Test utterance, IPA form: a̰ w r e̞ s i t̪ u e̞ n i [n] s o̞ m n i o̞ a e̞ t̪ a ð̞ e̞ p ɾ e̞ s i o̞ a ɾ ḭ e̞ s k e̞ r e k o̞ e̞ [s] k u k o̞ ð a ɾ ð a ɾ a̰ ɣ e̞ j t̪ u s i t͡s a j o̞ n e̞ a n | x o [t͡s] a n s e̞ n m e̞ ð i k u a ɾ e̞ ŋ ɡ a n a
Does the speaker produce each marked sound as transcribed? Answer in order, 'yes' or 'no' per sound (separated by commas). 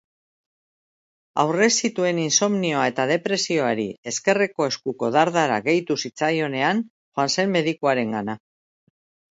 yes, yes, no